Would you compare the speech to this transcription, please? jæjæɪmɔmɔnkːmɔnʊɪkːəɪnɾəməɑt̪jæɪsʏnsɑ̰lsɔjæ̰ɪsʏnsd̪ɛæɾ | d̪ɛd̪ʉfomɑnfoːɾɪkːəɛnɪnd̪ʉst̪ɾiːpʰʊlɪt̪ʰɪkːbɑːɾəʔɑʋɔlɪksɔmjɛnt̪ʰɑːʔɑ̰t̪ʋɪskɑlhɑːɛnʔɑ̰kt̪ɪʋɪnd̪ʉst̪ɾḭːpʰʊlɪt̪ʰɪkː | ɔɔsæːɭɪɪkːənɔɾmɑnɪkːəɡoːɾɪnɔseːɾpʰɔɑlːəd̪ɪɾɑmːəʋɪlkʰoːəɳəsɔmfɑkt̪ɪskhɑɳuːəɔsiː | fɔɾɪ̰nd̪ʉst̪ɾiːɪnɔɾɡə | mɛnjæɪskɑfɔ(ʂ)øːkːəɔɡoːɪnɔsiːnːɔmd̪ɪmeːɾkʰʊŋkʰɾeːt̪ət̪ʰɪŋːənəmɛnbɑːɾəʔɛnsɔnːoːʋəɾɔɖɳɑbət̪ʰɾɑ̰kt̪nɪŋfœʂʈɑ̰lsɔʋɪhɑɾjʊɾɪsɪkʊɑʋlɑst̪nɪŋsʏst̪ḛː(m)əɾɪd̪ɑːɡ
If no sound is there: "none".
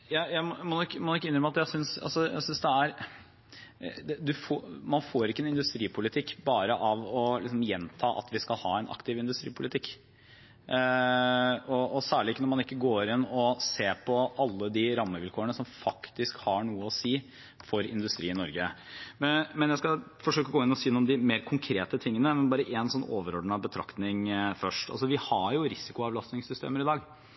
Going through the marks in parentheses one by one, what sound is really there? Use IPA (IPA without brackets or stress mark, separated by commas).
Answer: ʂ, m